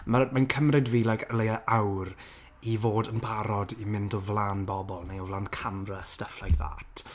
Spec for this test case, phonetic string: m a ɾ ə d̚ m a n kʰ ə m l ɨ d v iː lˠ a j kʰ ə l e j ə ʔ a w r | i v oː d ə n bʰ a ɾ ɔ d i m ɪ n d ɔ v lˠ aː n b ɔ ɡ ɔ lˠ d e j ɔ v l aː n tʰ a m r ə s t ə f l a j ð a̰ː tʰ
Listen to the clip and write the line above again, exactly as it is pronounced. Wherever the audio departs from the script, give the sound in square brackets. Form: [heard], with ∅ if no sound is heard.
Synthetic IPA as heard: m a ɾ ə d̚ m a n kʰ ə m [r] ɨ d v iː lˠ a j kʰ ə l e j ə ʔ a w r | i v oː d ə n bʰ a ɾ ɔ d i m ɪ n d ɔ v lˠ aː n b ɔ [b] ɔ lˠ [n] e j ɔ v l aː n [kʰ] a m r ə s t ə f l a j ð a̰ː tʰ